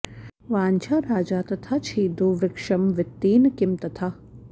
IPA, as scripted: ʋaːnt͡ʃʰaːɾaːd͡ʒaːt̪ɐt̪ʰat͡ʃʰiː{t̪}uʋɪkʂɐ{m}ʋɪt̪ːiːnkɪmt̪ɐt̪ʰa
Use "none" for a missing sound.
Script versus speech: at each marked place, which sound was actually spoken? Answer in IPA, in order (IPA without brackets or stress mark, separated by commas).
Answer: d̪, m